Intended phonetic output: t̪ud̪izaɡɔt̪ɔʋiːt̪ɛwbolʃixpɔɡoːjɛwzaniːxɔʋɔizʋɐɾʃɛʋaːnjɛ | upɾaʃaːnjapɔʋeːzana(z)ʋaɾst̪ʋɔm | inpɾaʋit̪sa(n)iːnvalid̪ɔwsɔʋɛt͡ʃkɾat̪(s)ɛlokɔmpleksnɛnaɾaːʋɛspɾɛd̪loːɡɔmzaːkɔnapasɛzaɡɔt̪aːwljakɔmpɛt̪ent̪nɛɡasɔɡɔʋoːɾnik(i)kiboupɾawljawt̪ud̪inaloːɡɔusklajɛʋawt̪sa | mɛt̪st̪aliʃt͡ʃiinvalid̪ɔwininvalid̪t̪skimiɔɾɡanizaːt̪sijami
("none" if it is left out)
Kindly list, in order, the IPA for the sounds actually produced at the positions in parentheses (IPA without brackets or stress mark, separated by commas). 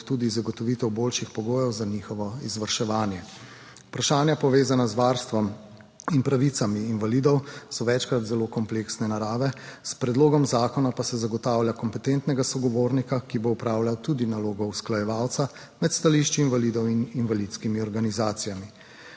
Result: z, m, z, a